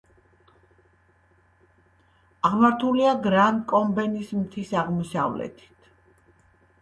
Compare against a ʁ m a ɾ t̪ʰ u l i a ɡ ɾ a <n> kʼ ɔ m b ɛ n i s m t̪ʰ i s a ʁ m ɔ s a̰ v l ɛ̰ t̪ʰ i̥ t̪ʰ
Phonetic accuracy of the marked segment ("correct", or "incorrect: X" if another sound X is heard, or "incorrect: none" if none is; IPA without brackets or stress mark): correct